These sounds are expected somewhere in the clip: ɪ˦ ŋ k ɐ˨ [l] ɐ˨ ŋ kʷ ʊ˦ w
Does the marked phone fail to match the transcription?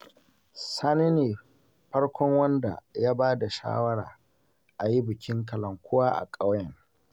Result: no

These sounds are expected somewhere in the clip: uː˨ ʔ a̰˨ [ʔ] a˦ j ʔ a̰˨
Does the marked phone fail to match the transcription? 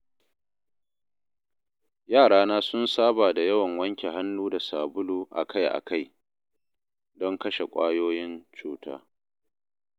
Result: yes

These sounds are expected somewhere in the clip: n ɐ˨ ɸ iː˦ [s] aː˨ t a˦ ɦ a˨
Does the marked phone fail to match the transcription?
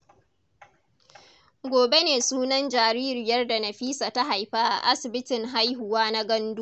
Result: no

